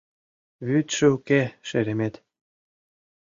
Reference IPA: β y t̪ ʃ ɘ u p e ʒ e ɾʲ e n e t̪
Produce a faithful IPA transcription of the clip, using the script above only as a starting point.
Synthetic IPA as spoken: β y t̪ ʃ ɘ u k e ʃ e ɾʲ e m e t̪